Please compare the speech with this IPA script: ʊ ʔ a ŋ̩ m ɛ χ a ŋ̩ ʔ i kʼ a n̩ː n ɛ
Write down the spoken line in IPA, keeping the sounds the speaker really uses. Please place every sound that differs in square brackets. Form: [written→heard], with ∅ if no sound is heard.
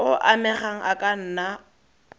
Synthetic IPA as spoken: ʊ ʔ a [ŋ̩→∅] m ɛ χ a ŋ̩ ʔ [i→a] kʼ a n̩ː n [ɛ→a]